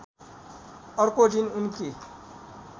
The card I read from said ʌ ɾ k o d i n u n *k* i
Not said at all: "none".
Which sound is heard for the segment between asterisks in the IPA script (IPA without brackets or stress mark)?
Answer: k